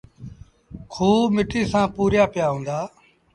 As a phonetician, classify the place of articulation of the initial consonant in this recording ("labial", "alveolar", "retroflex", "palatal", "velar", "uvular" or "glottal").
velar